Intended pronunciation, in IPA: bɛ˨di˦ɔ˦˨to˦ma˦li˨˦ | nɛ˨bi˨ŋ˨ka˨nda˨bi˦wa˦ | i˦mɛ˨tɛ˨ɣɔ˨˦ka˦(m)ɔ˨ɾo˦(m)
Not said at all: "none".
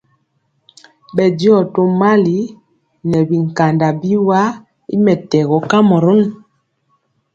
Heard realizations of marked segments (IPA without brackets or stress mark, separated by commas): m, n